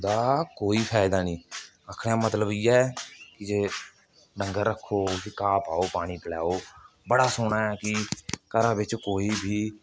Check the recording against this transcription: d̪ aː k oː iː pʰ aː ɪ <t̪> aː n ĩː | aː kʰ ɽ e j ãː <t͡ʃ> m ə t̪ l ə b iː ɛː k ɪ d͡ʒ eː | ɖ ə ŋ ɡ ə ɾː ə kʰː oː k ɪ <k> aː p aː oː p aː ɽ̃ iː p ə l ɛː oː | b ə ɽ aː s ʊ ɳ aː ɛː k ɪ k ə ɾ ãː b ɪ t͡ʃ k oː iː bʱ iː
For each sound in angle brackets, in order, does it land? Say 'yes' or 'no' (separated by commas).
no, no, yes